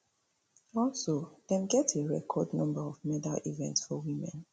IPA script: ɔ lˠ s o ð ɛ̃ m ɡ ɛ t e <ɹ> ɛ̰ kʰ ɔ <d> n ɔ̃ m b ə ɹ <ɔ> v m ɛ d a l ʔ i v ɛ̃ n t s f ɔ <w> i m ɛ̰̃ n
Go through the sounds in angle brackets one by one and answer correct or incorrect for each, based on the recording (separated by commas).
correct, correct, correct, correct